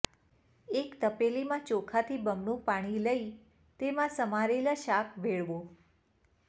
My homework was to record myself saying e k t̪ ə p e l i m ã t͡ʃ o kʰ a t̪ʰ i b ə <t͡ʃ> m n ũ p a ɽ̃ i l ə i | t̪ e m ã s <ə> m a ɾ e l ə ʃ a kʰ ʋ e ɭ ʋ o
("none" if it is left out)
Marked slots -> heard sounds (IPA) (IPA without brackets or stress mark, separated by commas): none, ə